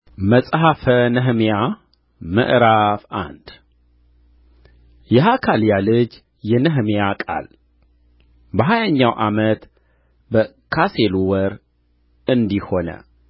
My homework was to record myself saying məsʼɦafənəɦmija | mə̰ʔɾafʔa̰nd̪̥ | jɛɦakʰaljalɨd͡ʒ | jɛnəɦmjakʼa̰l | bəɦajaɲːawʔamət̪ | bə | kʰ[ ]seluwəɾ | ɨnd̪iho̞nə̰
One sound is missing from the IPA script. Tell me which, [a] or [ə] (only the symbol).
a